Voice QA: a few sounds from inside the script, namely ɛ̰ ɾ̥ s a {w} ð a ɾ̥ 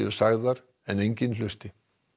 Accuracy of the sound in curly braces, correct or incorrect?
incorrect